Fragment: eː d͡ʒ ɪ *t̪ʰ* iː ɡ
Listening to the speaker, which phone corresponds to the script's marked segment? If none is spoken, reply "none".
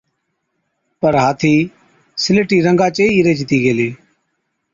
t̪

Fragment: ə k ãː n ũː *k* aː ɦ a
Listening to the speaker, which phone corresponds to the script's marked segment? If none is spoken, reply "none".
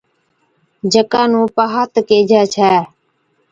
p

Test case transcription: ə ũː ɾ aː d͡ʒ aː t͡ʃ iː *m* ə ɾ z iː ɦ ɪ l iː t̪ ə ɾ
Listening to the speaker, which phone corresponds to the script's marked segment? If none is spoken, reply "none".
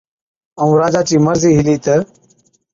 m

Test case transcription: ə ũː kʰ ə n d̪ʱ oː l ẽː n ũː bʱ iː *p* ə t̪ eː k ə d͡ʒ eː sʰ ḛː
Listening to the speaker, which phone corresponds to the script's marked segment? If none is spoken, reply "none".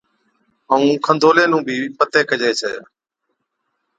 p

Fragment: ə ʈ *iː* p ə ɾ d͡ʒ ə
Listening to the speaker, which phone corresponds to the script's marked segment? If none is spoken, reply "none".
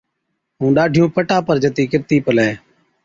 aː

